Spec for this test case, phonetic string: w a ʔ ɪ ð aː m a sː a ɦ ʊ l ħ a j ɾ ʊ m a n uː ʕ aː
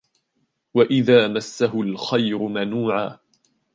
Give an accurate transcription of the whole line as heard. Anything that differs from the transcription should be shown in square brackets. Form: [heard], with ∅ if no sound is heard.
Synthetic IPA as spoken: w a ʔ ɪ ð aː m a sː a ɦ ʊ l [x] a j ɾ ʊ m a n uː ʕ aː